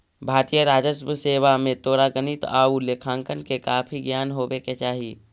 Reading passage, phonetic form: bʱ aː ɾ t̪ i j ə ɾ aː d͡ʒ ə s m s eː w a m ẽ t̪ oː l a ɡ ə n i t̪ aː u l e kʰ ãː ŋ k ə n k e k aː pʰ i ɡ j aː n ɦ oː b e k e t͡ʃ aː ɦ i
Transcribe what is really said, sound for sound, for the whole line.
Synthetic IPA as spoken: bʱ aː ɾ t̪ i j ə ɾ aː d͡ʒ ə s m s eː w a m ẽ t̪ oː ɾ a ɡ ə n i t̪ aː u l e kʰ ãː ŋ k ə n k e k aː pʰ i ɡ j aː n ɦ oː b e k e t͡ʃ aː ɦ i